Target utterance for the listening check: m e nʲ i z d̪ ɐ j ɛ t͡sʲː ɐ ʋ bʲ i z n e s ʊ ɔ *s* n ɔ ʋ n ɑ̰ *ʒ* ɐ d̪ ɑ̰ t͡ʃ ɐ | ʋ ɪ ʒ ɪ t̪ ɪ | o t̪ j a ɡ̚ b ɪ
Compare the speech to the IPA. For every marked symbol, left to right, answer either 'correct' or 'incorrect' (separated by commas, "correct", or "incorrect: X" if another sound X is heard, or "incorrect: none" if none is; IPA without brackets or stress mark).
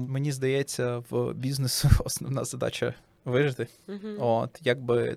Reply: correct, incorrect: z